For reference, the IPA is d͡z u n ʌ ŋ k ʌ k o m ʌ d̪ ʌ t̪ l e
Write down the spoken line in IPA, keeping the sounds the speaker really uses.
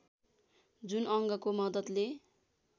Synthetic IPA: d͡z u n ʌ ŋ ɡ ʌ k o m ʌ d̪ ʌ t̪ l e